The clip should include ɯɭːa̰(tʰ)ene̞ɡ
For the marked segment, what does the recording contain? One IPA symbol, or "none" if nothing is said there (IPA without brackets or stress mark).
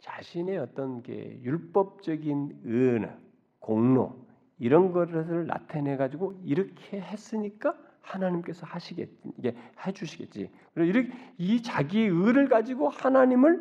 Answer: tʰ